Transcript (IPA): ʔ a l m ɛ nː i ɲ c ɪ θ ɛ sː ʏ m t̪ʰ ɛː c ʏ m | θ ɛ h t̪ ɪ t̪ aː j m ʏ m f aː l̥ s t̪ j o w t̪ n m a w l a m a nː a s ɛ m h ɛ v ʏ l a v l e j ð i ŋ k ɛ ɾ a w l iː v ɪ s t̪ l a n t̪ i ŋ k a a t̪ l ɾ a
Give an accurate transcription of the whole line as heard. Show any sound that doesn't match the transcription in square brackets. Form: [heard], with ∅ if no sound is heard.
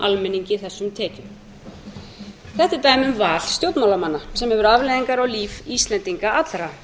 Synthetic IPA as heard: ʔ a l m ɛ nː i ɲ c ɪ θ ɛ sː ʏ m t̪ʰ ɛː c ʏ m | θ ɛ h t̪ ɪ t̪ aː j m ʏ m [v] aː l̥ s t̪ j o w t̪ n m a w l a m a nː a s ɛ m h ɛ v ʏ [ɾ] a v l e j ð i ŋ k [a] ɾ a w l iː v [i] s t̪ l [ɛ] n t̪ i ŋ k a a t̪ l ɾ a